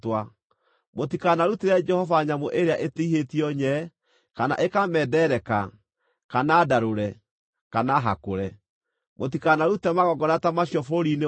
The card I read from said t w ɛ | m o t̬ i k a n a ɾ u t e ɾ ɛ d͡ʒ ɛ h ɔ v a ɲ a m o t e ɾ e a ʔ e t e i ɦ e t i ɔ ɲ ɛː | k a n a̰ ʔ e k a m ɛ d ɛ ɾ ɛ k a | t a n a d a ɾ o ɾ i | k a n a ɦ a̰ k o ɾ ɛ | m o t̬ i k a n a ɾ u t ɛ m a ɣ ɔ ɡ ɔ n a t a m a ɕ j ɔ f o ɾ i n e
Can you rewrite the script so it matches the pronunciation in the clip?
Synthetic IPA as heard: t w a | m o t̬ i k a n a ɾ u t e ɾ ɛ d͡ʒ ɛ h ɔ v a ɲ a m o ʔ e ɾ e a ʔ e t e i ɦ e t i ɔ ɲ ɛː | k a n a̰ ʔ e k a m ɛ d ɛ ɾ ɛ k a | k a n a d a ɾ o ɾ ɛ | k a n a ɦ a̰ k o ɾ ɛ | m o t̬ i k a n a ɾ u t ɛ m a ɣ ɔ ɡ ɔ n a t a m a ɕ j ɔ f o ɾ i n e